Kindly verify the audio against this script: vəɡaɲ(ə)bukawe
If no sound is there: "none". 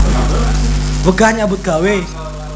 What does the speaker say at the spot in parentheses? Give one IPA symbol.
a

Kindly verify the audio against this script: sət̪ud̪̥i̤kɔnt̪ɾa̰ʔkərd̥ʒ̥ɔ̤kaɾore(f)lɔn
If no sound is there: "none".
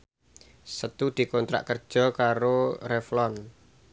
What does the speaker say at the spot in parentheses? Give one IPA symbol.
f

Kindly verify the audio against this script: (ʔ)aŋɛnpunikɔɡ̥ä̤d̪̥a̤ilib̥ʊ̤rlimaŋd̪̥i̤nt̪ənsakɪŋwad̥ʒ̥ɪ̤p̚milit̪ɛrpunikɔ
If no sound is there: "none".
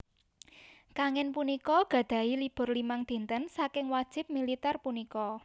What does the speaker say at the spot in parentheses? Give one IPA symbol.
k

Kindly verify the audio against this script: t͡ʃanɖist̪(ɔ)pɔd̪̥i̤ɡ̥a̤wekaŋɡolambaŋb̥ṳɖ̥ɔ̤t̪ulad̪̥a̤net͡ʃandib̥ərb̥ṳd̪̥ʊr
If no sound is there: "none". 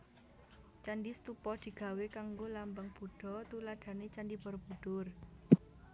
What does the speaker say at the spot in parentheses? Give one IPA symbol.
u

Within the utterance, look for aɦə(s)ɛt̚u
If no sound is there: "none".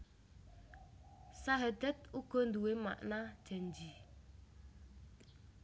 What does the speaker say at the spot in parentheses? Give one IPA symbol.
t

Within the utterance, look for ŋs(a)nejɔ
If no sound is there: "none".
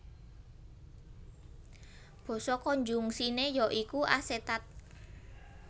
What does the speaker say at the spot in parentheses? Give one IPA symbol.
i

